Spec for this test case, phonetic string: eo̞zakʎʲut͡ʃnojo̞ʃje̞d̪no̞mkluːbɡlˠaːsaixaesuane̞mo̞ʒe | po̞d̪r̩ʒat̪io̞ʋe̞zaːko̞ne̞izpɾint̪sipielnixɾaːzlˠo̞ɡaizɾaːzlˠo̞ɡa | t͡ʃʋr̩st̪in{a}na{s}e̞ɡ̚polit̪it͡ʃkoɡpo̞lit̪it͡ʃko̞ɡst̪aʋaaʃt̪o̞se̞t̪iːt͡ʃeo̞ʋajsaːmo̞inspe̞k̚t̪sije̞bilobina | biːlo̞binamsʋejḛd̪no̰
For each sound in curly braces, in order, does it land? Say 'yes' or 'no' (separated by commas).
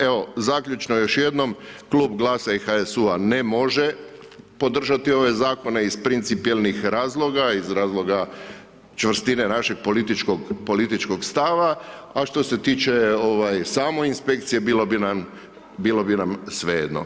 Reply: no, no